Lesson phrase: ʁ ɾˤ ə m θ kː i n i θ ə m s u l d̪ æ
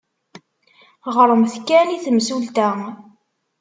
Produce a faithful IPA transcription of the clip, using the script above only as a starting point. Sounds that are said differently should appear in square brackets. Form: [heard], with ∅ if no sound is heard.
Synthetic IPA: ʁ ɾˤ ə m θ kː [æ] n i θ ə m s u l [t̪] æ